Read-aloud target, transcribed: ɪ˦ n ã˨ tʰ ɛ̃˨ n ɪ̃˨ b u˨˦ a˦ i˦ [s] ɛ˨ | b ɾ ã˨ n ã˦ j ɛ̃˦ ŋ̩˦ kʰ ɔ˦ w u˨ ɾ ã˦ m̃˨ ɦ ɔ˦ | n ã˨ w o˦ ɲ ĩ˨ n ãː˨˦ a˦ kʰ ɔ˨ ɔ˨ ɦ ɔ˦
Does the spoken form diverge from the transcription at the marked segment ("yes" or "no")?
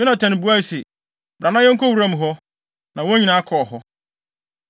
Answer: no